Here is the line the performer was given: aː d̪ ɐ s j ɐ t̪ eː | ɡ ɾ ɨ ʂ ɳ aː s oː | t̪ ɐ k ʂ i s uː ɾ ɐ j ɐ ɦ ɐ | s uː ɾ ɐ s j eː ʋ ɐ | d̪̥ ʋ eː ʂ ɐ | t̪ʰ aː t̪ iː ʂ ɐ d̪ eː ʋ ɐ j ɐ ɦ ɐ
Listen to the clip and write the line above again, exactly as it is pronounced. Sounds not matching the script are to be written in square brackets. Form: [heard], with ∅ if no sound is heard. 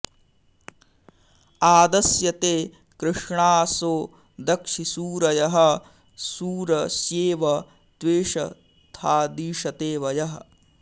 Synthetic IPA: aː d̪ ɐ s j ɐ t̪ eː | [k] ɾ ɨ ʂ ɳ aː s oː | [d̪] ɐ k ʂ i s uː ɾ ɐ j ɐ ɦ ɐ | s uː ɾ ɐ s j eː ʋ ɐ | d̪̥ ʋ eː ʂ ɐ | t̪ʰ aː [d̪] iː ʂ ɐ [t̪] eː ʋ ɐ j ɐ ɦ ɐ